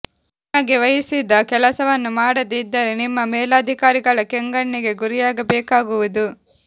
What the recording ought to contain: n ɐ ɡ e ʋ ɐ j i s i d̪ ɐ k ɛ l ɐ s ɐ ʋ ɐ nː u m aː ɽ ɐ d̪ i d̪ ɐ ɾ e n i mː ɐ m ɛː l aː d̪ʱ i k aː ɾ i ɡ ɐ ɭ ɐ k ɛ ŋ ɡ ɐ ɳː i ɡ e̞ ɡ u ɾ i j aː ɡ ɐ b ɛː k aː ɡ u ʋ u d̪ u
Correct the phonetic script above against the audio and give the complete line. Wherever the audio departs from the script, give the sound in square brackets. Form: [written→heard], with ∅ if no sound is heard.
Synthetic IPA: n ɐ ɡ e ʋ ɐ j i s i d̪ ɐ k ɛ l ɐ s ɐ ʋ ɐ nː u m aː ɽ ɐ d̪ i [d̪→d̪ː] ɐ ɾ e n i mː ɐ m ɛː l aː d̪ʱ i k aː ɾ i ɡ ɐ ɭ ɐ k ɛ ŋ ɡ ɐ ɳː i ɡ e̞ ɡ u ɾ i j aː ɡ ɐ b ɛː k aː ɡ u ʋ u d̪ u

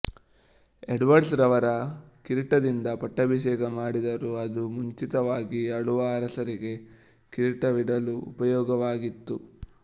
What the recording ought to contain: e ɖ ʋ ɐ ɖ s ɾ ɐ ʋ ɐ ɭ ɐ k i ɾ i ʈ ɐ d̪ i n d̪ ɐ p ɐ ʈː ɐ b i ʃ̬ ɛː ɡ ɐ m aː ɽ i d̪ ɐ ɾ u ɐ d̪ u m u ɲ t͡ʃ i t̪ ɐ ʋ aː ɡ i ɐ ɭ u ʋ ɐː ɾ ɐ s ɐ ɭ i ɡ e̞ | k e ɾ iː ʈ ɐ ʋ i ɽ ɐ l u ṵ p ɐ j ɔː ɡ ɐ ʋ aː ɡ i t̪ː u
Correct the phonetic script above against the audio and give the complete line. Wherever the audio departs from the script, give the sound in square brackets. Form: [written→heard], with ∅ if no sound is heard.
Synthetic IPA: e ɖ ʋ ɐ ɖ s ɾ ɐ ʋ ɐ [ɭ→ɾ] ɐ k i ɾ i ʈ ɐ d̪ i n d̪ ɐ p ɐ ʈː ɐ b i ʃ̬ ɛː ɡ ɐ m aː ɽ i d̪ ɐ ɾ u ɐ d̪ u m u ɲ t͡ʃ i t̪ ɐ ʋ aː ɡ i ɐ ɭ u ʋ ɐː ɾ ɐ s ɐ [ɭ→ɾ] i ɡ e̞ | k [e→i] ɾ [iː→i] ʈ ɐ ʋ i ɽ ɐ l u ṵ p ɐ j ɔː ɡ ɐ ʋ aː ɡ i t̪ː u

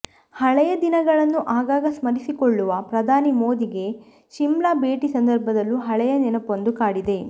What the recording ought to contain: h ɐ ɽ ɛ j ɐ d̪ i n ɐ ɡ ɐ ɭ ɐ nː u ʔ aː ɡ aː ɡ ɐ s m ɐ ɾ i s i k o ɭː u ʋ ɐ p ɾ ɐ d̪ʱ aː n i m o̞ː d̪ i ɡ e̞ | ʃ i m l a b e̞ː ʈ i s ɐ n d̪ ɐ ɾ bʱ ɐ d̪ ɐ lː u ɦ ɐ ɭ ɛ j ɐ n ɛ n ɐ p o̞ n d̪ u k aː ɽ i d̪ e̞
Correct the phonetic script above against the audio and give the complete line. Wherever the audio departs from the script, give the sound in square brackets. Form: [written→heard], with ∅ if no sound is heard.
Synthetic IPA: h ɐ [ɽ→ɭ] ɛ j ɐ d̪ i n ɐ ɡ ɐ ɭ ɐ nː u ʔ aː ɡ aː ɡ ɐ s m ɐ ɾ i s i k o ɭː u ʋ ɐ p ɾ ɐ d̪ʱ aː n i m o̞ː d̪ i ɡ e̞ | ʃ i m l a b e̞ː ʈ i s ɐ n d̪ ɐ ɾ bʱ ɐ d̪ ɐ lː u ɦ ɐ ɭ ɛ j ɐ n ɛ n ɐ p o̞ n d̪ u k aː ɽ i d̪ e̞

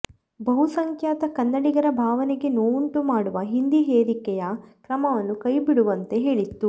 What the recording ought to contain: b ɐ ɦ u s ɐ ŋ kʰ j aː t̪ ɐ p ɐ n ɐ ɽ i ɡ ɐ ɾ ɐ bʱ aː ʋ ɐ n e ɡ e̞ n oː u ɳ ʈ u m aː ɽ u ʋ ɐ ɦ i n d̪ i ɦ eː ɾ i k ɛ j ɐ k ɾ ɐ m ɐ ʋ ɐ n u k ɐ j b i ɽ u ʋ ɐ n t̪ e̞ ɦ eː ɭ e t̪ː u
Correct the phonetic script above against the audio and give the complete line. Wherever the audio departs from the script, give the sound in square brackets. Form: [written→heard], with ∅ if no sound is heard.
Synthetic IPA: b ɐ ɦ u s ɐ ŋ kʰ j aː t̪ ɐ [p→k] ɐ [n→nː] ɐ ɽ i ɡ ɐ ɾ ɐ bʱ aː ʋ ɐ n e ɡ e̞ n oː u ɳ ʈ u m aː ɽ u ʋ ɐ ɦ i n d̪ i ɦ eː ɾ i k ɛ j ɐ k ɾ ɐ m ɐ ʋ ɐ [n→nː] u k ɐ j b i ɽ u ʋ ɐ n t̪ e̞ ɦ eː ɭ [e→i] t̪ː u

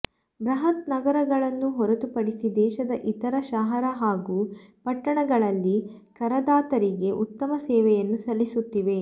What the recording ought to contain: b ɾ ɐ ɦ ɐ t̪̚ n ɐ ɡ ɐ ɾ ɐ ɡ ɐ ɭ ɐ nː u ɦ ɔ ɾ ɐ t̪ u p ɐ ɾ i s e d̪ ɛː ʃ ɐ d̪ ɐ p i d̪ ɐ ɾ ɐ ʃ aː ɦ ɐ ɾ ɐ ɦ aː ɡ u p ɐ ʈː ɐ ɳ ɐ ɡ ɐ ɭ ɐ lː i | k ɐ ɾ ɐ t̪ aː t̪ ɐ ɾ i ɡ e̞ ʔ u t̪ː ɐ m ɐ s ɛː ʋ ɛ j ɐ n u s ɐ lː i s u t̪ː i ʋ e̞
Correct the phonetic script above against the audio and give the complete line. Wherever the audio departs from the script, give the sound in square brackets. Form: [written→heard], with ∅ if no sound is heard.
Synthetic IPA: b ɾ ɐ ɦ ɐ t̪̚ n ɐ ɡ ɐ ɾ ɐ ɡ ɐ ɭ ɐ nː u ɦ ɔ ɾ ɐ t̪ u p ɐ [ɾ→ɽ] i s [e→i] d̪ ɛː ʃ ɐ d̪ ɐ [p→ʔ] i [d̪→t̪] ɐ ɾ ɐ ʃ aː ɦ ɐ ɾ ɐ ɦ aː ɡ u p ɐ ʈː ɐ ɳ ɐ ɡ ɐ ɭ ɐ lː i | k ɐ ɾ ɐ [t̪→d̪] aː t̪ ɐ ɾ i ɡ e̞ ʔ u t̪ː ɐ m ɐ s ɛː ʋ ɛ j ɐ [n→nː] u s ɐ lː i s u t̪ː i ʋ e̞

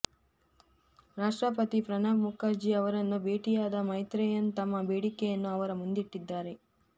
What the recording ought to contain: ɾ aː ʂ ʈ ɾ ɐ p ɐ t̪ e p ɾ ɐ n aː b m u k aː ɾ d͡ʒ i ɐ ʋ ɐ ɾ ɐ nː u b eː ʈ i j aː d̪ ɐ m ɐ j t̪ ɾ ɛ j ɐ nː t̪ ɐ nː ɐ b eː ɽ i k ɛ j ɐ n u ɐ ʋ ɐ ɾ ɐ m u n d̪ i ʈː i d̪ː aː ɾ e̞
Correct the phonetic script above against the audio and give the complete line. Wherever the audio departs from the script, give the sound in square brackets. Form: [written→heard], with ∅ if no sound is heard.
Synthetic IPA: ɾ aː ʂ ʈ ɾ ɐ p ɐ t̪ [e→i] p ɾ ɐ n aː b m u k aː ɾ d͡ʒ i ɐ ʋ ɐ ɾ ɐ nː u b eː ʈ i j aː d̪ ɐ m ɐ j t̪ ɾ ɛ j ɐ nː t̪ ɐ [nː→mː] ɐ b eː ɽ i k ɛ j ɐ [n→nː] u ɐ ʋ ɐ ɾ ɐ m u n d̪ i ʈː i d̪ː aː ɾ e̞

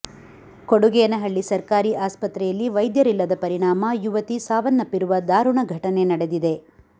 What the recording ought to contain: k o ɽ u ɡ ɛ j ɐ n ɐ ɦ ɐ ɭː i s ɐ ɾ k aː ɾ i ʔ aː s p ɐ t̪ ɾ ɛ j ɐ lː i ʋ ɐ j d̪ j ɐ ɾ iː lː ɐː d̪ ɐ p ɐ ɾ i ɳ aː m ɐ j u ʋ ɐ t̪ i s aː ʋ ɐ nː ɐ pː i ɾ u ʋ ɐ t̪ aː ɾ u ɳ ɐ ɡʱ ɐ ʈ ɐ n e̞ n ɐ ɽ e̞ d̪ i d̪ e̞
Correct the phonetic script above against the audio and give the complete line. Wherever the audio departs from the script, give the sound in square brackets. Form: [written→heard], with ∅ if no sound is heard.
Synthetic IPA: k o ɽ u ɡ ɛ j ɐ n ɐ ɦ ɐ ɭː i s ɐ ɾ k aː ɾ i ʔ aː s p ɐ t̪ ɾ ɛ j ɐ lː i ʋ ɐ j d̪ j ɐ ɾ [iː→i] lː [ɐː→ɐ] d̪ ɐ p ɐ ɾ i ɳ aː m ɐ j u ʋ ɐ t̪ i s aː ʋ ɐ nː ɐ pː i ɾ u ʋ ɐ [t̪→d̪] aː ɾ u ɳ ɐ ɡʱ ɐ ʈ ɐ n e̞ n ɐ ɽ e̞ d̪ i d̪ e̞

